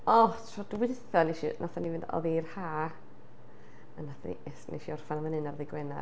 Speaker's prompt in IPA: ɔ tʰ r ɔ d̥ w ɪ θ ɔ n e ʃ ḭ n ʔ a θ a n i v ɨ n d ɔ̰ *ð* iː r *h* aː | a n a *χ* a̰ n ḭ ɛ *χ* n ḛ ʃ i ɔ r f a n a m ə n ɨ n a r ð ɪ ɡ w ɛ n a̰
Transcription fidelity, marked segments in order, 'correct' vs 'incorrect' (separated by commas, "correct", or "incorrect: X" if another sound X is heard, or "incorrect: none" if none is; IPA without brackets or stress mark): correct, correct, incorrect: θ, incorrect: s